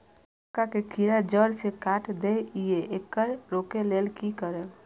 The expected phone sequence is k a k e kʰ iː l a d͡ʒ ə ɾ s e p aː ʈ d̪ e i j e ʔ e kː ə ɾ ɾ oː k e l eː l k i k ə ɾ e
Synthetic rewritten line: k a k e kʰ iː ɾ a d͡ʒ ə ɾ s e k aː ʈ d̪ e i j e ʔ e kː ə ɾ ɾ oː k e l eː l k i k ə ɾ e